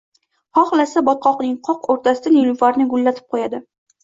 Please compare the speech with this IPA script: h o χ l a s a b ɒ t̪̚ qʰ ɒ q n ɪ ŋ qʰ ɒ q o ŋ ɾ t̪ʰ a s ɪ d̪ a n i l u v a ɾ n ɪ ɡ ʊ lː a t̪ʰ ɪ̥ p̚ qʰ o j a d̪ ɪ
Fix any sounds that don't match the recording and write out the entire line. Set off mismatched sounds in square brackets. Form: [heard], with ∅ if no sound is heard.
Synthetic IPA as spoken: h [ɒ] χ l a s a b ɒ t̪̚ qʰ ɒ q n ɪ ŋ qʰ ɒ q o [∅] ɾ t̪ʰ a s ɪ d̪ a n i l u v a ɾ n ɪ ɡ ʊ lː a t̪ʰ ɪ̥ p̚ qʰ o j a d̪ ɪ